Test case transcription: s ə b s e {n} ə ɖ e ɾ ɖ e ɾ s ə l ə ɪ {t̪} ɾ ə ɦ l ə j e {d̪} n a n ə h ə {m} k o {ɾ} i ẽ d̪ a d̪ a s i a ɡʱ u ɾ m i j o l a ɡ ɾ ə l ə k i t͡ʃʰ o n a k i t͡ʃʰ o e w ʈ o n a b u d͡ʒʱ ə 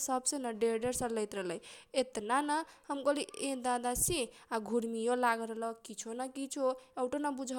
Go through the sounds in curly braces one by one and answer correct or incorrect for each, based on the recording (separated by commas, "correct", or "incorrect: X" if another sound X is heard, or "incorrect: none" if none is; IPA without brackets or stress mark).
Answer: correct, correct, incorrect: t̪, correct, incorrect: l